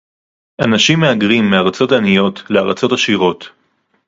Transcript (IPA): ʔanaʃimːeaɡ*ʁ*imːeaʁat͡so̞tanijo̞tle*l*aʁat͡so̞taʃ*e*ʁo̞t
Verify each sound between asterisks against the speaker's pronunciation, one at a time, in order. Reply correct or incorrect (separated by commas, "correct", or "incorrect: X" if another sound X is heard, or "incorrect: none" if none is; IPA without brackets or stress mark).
correct, incorrect: none, incorrect: i